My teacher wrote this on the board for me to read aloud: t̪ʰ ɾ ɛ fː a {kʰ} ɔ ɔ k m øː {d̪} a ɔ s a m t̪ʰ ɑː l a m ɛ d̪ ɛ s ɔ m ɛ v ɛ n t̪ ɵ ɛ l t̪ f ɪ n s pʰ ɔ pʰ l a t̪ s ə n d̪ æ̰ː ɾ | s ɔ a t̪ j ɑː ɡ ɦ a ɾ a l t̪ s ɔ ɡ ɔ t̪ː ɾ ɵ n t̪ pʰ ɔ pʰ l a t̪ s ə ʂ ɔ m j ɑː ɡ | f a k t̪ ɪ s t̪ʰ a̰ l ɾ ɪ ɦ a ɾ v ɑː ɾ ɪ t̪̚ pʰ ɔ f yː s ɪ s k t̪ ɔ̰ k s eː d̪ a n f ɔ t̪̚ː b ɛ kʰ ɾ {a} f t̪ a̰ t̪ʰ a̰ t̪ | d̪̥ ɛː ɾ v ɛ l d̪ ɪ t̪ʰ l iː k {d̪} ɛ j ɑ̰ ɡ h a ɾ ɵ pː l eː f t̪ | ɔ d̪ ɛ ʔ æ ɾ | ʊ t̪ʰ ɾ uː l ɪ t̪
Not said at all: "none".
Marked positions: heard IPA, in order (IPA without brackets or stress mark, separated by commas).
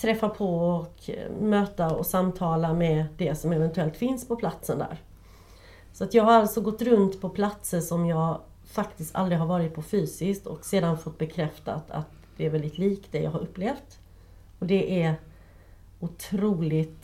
pʰ, t̪, ɛ, d̪